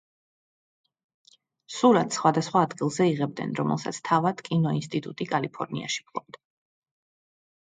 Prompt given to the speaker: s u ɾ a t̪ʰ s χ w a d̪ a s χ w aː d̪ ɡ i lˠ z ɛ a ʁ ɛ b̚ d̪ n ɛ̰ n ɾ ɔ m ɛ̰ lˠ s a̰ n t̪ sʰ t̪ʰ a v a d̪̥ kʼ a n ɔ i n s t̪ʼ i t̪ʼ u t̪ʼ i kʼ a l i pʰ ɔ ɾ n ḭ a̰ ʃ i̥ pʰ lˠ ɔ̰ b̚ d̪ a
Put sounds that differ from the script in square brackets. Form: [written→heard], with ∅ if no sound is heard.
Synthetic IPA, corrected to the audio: s u ɾ a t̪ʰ s χ w a d̪ a s χ w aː d̪ ɡ i lˠ z ɛ [a→i] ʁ ɛ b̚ d̪ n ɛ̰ n ɾ ɔ m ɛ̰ lˠ s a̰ [n→∅] t̪ sʰ t̪ʰ a v a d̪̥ kʼ [a→i] n ɔ i n s t̪ʼ i t̪ʼ u t̪ʼ i kʼ a l i pʰ ɔ ɾ n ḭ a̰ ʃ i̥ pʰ lˠ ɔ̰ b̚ d̪ a

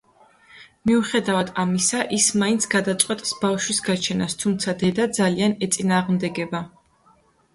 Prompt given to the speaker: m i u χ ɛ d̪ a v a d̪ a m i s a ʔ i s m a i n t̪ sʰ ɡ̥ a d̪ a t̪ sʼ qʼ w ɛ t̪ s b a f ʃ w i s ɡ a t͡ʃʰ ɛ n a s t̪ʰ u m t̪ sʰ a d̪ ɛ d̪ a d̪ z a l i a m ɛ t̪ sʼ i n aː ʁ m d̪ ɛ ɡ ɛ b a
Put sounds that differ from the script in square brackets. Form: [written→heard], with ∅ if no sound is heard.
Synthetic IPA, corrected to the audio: m i u χ ɛ d̪ a v a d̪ a m i s a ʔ i s m a i n t̪ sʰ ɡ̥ a d̪ a t̪ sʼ qʼ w ɛ [t̪→t̪ʼ] s b a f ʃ w i s ɡ a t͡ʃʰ ɛ n a s t̪ʰ u m t̪ sʰ a d̪ ɛ d̪ a d̪ z a l i a [m→n] ɛ t̪ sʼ i n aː ʁ m d̪ ɛ ɡ ɛ b a

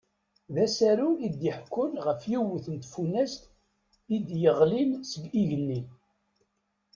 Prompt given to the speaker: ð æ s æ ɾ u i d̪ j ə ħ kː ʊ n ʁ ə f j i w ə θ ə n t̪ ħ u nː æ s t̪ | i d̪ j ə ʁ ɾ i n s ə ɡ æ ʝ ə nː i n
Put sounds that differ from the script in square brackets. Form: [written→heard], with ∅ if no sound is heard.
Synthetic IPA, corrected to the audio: ð æ s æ ɾ u i d̪ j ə ħ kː ʊ n ʁ ə f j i w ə θ ə n t̪ [ħ→f] u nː æ s t̪ | i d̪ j ə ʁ [ɾ→l] i n s ə ɡ [æ→i] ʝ ə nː i n

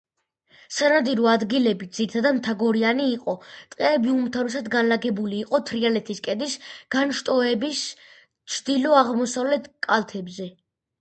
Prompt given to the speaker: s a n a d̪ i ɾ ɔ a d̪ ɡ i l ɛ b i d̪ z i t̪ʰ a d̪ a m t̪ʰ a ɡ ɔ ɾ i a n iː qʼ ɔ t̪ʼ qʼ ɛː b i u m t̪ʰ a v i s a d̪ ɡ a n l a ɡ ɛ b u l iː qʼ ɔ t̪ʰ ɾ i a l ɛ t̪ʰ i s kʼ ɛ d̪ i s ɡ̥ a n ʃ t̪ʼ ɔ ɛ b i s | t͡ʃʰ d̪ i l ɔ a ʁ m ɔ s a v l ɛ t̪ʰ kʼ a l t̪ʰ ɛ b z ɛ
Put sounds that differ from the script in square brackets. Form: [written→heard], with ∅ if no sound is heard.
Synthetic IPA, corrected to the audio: s a n a d̪ i ɾ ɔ a d̪ ɡ i l ɛ b i d̪ z i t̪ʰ a d̪ a m t̪ʰ a ɡ ɔ ɾ i a n iː qʼ ɔ t̪ʼ qʼ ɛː b i u m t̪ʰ a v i s a d̪ ɡ a n l a ɡ ɛ b u l iː qʼ ɔ t̪ʰ ɾ i a l ɛ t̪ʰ i s kʼ ɛ d̪ i s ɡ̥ a n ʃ t̪ʼ ɔ ɛ b i s | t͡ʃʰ d̪ i l ɔ a ʁ m ɔ s a v l ɛ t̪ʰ kʼ a l t̪ʰ ɛ b z ɛ

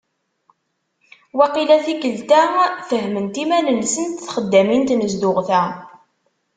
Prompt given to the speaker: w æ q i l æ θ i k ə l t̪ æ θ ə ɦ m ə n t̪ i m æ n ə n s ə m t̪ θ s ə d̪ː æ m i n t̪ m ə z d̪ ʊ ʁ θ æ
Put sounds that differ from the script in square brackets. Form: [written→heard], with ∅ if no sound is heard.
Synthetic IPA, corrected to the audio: w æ q i l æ θ i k ə l t̪ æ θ ə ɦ m ə n t̪ i m æ n ə n s ə [m→n] t̪ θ [s→χ] ə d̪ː æ m i n t̪ [m→n] ə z d̪ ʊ ʁ θ æ

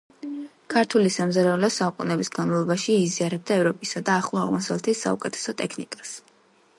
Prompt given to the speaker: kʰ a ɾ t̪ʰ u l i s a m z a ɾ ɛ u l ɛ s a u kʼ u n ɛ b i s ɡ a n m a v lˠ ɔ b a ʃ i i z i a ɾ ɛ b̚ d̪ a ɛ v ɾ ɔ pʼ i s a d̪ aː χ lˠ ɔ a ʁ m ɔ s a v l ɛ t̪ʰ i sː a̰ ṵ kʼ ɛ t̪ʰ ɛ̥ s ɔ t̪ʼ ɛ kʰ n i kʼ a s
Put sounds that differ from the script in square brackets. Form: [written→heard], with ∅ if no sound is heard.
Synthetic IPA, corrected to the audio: kʰ a ɾ t̪ʰ u l i s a m z a ɾ ɛ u l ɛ s a u kʼ u n ɛ b i s ɡ a n m a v lˠ ɔ b a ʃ i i z i a ɾ ɛ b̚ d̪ a ɛ v ɾ ɔ pʼ i s a d̪ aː χ lˠ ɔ a ʁ m ɔ s a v l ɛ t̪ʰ i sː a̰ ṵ kʼ ɛ t̪ʰ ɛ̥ s ɔ t̪ʼ ɛ kʰ n i kʼ a s

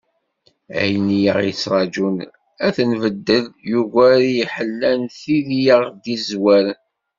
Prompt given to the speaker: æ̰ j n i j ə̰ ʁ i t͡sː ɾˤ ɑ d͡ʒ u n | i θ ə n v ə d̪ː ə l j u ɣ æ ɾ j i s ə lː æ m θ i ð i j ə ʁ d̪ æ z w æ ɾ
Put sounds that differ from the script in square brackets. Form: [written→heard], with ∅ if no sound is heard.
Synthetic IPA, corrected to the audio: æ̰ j n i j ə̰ ʁ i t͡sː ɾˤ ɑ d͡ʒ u n | [i→æ] θ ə n v ə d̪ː ə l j u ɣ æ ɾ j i [s→ħ] ə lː æ [m→n] θ i ð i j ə ʁ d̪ [æ→i] z w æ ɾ

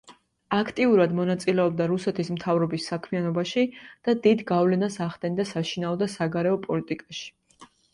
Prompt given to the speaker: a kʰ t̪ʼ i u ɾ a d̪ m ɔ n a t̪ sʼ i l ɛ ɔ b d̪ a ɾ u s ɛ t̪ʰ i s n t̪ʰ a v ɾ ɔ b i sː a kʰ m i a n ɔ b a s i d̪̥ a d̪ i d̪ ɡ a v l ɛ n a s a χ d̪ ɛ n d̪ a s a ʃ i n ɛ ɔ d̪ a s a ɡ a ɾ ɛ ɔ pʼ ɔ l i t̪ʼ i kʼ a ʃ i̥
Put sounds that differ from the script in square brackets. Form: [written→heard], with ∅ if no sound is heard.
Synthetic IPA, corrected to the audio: a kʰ t̪ʼ i u ɾ a d̪ m ɔ n a t̪ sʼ i l ɛ ɔ b d̪ a ɾ u s ɛ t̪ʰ i s [n→m] t̪ʰ a v ɾ ɔ b i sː a kʰ m i a n ɔ b a [s→ʃ] i d̪̥ a d̪ i d̪ ɡ a v l ɛ n a s a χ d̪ ɛ n d̪ a s a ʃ i n [ɛ→a] ɔ d̪ a s a ɡ a ɾ ɛ ɔ pʼ ɔ l i t̪ʼ i kʼ a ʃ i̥

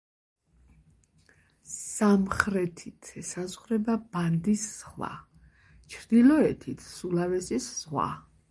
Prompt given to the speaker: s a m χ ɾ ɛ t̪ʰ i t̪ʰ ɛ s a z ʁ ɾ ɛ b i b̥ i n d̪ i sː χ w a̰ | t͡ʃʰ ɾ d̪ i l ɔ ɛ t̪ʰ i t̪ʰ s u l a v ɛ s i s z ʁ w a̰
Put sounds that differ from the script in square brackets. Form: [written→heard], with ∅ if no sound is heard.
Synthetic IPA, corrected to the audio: s a m χ ɾ ɛ t̪ʰ i t̪ʰ ɛ s a z ʁ ɾ ɛ b [i→a] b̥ [i→a] n d̪ i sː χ w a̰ | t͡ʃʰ ɾ d̪ i l ɔ ɛ t̪ʰ i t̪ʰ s u l a v ɛ s i s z ʁ w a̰

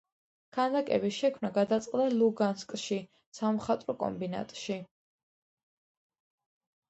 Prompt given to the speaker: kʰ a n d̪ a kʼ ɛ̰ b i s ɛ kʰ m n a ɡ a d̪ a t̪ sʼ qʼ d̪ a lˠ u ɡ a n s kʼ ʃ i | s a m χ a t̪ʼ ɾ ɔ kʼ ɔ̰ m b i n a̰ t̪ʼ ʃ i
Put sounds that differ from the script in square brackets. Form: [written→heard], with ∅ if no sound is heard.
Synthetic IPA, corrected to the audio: kʰ a n d̪ a kʼ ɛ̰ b i [s→ʃ] ɛ kʰ m n a ɡ a d̪ a t̪ sʼ qʼ d̪ a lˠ u ɡ a n s kʼ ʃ i | s a m χ a t̪ʼ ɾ ɔ kʼ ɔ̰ m b i n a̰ t̪ʼ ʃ i

